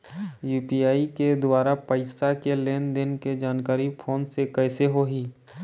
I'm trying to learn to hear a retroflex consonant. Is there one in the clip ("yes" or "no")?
no